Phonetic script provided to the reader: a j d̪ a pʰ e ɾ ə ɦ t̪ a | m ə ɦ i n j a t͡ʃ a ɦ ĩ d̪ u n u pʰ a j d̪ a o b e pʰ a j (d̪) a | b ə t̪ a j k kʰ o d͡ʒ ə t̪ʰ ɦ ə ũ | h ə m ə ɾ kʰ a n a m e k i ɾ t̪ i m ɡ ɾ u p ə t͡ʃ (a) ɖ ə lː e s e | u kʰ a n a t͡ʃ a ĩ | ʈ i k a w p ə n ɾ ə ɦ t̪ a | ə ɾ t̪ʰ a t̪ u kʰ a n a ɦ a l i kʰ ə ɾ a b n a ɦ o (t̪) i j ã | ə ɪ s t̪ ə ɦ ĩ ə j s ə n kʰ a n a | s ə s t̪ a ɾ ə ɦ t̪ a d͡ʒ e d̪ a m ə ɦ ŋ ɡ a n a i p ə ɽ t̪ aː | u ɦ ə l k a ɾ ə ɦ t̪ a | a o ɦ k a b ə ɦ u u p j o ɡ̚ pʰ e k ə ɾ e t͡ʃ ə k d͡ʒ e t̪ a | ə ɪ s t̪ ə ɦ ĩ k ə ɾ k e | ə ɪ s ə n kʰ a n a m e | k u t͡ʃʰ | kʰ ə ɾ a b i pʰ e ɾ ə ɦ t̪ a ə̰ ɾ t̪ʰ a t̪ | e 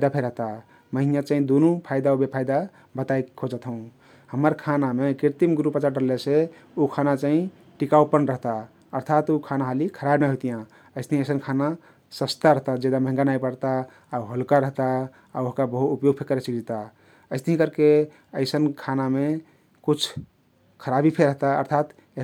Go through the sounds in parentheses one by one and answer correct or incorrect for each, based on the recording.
correct, correct, correct

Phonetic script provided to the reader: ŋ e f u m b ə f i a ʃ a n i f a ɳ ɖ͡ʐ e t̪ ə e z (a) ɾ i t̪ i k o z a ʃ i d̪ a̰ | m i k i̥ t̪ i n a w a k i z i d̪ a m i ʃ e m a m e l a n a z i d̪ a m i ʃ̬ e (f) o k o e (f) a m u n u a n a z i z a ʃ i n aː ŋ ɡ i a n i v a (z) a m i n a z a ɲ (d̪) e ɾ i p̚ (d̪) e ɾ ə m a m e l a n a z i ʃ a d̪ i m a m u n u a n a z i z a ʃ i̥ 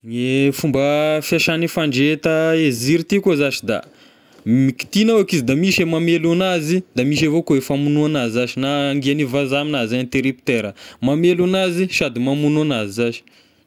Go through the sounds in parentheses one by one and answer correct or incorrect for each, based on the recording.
incorrect, incorrect, correct, correct, incorrect, incorrect

